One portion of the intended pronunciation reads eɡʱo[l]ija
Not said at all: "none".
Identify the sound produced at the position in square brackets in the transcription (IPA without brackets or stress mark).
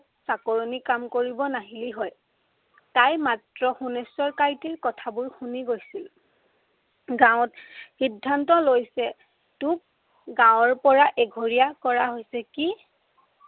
ɹ